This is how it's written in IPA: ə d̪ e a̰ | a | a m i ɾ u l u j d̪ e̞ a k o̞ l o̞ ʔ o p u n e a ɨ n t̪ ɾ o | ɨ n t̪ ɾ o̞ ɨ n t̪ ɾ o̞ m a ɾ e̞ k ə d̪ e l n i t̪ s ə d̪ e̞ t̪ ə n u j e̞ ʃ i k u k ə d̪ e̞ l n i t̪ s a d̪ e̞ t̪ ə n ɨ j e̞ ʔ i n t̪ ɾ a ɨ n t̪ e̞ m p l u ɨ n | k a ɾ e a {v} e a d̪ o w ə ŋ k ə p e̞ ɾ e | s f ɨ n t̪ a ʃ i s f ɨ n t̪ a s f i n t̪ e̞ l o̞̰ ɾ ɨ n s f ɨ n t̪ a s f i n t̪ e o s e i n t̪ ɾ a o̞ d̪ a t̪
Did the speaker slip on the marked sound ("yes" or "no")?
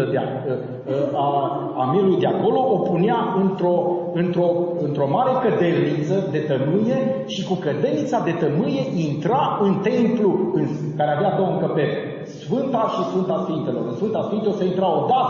no